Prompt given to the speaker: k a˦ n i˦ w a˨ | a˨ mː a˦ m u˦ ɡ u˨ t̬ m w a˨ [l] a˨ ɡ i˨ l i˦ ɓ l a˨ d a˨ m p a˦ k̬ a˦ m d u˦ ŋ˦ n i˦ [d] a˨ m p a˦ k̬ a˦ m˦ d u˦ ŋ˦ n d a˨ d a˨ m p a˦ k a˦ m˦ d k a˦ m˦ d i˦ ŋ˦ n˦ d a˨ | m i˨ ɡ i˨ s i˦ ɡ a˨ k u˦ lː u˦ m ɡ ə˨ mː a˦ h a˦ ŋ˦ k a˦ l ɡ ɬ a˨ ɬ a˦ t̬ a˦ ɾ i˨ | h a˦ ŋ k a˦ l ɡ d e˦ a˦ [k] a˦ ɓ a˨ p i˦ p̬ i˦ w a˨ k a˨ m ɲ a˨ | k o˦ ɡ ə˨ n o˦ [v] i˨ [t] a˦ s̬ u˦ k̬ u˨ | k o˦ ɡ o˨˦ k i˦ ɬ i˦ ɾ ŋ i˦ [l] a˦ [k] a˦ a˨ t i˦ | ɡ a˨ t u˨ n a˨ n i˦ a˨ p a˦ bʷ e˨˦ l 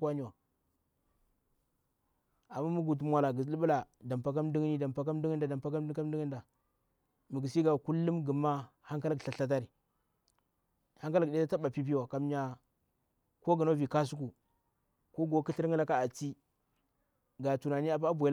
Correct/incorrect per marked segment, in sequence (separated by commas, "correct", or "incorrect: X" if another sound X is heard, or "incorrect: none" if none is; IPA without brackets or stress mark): correct, correct, incorrect: t, correct, incorrect: k, correct, correct